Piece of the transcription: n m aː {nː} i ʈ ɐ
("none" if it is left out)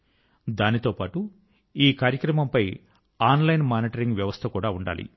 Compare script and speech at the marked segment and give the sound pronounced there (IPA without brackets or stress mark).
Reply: n